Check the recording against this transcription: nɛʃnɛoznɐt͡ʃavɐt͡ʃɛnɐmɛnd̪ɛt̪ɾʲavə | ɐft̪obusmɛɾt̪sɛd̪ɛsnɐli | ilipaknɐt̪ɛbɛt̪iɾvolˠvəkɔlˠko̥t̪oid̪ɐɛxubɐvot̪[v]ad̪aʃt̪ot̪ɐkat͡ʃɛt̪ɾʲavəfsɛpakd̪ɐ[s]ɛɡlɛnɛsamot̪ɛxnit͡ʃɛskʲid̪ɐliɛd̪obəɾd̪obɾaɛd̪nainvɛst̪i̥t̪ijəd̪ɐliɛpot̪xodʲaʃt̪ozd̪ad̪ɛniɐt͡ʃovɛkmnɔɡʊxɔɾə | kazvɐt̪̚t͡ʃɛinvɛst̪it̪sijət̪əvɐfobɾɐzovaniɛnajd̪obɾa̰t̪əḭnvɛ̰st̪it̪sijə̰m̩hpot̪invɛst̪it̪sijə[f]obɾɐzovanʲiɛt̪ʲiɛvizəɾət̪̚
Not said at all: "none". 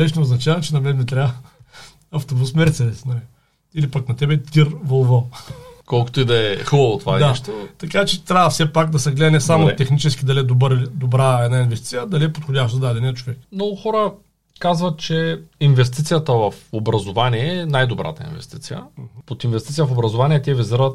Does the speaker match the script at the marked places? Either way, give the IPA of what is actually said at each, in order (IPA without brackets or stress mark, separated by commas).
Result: v, s, f